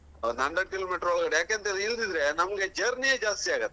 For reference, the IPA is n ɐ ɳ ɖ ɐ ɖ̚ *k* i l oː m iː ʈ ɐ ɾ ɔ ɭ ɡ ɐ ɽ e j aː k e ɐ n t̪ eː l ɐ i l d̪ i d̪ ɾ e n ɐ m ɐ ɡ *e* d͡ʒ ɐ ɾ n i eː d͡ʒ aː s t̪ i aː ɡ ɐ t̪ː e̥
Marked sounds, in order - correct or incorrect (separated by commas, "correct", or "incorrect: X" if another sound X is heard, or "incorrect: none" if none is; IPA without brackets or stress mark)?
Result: correct, correct